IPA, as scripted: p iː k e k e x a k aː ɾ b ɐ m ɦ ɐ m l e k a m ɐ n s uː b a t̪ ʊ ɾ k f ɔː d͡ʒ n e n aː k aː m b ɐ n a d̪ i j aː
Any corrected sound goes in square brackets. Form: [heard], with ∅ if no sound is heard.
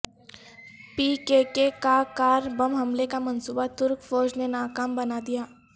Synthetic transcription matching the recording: p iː k e k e [k] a k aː ɾ b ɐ m ɦ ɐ m l e k a m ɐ n s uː b a t̪ ʊ ɾ k f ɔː d͡ʒ n e n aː k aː m b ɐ n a d̪ i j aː